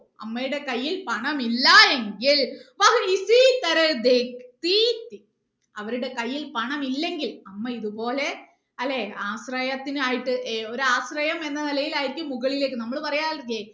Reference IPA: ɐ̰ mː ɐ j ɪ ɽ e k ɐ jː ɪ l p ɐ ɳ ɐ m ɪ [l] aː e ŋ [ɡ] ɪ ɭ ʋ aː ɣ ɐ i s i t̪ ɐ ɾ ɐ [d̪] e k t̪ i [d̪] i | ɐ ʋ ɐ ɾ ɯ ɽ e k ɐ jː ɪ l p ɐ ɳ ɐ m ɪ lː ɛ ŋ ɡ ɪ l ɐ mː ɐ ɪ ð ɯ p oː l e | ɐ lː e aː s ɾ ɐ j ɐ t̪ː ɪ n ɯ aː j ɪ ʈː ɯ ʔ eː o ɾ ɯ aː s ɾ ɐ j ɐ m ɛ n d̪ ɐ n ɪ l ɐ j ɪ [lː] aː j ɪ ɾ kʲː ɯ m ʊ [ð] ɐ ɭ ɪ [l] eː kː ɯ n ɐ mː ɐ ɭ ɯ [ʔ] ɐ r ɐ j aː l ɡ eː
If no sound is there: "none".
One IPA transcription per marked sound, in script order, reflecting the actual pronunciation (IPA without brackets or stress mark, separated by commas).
lː, ɡ, d̪, t̪, l, ɣ, l, p